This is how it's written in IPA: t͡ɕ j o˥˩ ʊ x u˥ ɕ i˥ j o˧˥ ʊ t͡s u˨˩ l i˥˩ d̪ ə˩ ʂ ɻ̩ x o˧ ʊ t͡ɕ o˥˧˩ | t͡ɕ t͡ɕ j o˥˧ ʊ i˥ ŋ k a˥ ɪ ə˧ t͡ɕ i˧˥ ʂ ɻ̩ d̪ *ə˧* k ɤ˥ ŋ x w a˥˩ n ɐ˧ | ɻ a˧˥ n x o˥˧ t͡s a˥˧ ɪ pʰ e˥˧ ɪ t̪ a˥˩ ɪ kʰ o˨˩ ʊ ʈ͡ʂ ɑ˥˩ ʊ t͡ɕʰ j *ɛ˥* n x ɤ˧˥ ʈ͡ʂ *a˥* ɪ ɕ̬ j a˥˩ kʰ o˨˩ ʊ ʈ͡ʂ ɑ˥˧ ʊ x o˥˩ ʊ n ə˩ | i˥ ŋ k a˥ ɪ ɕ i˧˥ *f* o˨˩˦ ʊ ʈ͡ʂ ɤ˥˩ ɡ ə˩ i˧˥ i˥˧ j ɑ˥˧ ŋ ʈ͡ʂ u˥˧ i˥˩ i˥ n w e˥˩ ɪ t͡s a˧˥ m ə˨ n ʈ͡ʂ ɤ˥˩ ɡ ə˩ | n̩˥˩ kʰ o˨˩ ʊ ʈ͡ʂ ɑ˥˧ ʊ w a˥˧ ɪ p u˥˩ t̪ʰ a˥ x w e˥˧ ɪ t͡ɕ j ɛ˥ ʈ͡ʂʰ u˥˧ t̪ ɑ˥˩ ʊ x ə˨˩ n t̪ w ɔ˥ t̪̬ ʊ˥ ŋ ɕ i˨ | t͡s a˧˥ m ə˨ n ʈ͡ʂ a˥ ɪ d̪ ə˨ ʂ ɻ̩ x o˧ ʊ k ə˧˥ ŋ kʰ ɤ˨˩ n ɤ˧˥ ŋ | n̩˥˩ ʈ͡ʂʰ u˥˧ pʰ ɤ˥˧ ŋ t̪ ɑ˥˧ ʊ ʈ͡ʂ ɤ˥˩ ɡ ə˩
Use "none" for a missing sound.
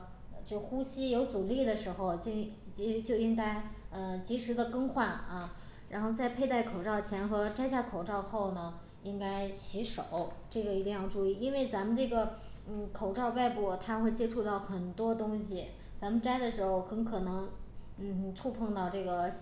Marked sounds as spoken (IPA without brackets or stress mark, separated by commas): ə˧, ɛ˧˥, a˥, ʂ